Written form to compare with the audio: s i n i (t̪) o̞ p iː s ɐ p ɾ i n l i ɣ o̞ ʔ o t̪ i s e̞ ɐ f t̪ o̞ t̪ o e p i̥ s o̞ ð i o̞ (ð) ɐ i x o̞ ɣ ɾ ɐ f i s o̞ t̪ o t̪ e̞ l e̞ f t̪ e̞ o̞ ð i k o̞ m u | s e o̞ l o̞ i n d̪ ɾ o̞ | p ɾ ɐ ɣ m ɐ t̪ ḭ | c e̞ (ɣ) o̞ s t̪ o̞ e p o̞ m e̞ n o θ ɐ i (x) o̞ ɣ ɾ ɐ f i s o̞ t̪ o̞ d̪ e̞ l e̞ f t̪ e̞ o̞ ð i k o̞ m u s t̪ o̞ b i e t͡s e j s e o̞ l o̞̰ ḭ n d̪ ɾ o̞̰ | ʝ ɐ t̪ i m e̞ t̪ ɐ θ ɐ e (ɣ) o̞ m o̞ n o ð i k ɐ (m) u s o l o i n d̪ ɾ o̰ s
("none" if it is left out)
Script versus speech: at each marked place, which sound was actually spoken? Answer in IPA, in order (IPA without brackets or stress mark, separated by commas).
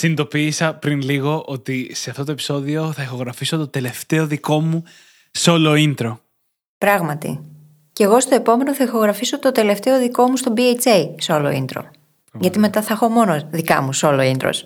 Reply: d̪, θ, ɣ, x, x, m